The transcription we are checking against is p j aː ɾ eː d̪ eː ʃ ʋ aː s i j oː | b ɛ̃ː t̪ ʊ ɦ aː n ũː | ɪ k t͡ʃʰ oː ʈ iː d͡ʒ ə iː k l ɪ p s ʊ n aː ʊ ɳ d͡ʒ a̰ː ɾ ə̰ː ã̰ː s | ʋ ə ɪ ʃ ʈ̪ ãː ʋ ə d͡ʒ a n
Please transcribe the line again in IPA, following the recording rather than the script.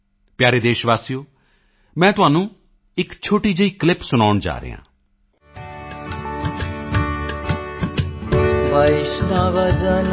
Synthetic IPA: p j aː ɾ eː d̪ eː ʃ ʋ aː s i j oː | m ɛ̃ː t̪ ʊ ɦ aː n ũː | ɪ k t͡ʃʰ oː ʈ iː d͡ʒ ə iː k l ɪ p s ʊ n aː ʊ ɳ d͡ʒ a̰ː ɾ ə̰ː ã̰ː | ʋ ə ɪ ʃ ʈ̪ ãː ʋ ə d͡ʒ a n